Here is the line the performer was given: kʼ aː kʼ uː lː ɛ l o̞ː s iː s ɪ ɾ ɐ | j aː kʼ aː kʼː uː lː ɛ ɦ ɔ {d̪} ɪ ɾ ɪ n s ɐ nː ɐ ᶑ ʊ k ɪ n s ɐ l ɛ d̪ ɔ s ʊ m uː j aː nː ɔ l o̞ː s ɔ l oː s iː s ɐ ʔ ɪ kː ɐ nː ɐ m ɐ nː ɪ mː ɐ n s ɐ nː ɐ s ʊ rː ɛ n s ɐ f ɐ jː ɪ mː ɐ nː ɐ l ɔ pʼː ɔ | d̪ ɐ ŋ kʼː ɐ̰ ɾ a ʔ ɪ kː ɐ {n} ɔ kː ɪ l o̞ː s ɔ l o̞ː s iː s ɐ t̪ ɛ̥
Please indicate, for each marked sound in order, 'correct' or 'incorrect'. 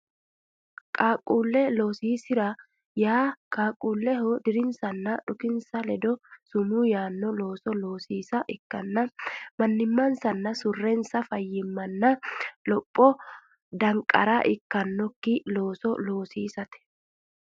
correct, incorrect: nː

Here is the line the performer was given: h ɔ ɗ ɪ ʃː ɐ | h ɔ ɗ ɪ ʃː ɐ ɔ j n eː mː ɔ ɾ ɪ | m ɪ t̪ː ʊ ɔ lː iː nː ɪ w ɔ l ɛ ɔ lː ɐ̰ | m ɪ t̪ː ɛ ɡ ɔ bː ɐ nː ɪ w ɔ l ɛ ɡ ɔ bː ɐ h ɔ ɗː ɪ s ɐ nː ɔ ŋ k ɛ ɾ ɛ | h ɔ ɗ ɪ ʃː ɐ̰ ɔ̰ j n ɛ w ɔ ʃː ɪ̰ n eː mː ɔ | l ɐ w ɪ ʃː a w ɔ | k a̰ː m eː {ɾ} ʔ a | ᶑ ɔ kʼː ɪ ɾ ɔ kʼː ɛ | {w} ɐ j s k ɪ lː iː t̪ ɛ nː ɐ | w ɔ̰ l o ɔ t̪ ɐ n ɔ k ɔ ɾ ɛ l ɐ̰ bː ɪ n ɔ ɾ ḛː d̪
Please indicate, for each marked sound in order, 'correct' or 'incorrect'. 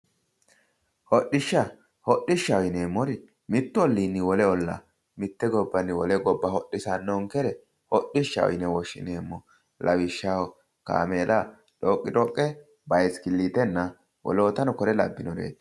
incorrect: l, incorrect: b

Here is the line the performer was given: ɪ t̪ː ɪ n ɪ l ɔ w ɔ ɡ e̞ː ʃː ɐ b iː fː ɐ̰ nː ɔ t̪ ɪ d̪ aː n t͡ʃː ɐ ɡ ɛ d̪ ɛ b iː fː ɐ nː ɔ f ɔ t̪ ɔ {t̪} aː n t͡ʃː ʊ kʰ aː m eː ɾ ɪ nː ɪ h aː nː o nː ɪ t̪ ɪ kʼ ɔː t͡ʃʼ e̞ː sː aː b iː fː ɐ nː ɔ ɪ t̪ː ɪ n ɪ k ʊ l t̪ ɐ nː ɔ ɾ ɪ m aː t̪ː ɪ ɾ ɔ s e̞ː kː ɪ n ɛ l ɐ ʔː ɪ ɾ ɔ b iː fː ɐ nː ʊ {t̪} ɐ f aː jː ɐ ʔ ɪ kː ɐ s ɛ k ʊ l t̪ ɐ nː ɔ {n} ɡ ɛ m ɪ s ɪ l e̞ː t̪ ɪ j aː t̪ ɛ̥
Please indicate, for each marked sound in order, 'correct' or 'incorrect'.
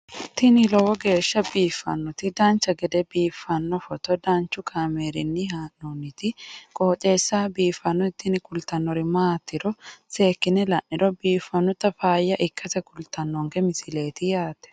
incorrect: d̪, correct, incorrect: ŋ

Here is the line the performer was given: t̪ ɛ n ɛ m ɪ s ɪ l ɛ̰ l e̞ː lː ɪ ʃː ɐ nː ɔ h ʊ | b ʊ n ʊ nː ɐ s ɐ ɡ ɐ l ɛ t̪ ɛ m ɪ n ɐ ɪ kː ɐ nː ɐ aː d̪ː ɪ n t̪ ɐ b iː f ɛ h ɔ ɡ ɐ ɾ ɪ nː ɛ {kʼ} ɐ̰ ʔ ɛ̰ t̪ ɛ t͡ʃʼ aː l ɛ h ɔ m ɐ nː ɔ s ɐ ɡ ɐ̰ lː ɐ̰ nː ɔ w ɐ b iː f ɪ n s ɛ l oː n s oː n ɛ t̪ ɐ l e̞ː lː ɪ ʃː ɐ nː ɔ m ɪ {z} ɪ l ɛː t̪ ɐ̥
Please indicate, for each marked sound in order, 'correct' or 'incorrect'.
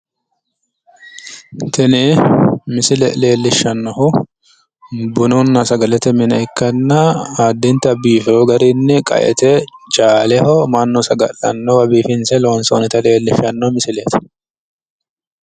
correct, incorrect: s

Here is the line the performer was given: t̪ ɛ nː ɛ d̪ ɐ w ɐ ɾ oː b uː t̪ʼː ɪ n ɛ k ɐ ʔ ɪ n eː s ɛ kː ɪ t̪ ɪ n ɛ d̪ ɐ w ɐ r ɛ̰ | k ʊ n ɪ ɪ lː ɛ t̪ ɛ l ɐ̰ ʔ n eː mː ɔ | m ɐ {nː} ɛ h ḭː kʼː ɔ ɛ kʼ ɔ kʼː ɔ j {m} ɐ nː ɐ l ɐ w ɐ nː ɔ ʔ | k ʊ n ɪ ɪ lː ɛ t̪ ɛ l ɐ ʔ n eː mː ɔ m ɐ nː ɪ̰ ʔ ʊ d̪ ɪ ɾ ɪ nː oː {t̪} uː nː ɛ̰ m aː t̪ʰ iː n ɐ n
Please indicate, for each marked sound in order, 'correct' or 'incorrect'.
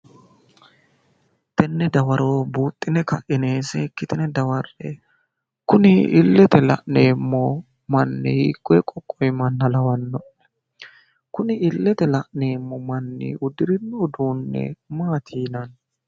correct, correct, incorrect: d̪

